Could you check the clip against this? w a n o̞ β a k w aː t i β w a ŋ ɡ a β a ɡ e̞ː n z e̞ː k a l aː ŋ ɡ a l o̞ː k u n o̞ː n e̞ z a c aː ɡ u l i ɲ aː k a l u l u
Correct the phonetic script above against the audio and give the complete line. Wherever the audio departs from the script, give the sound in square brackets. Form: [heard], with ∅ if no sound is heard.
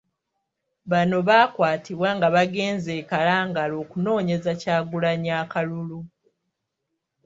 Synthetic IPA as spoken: [β] a n o̞ β a k w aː t i β w a ŋ ɡ a β a ɡ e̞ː n z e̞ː k a l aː ŋ ɡ a l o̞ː k u n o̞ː [ɲ] e̞ z a c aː ɡ u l [a] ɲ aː k a l u l u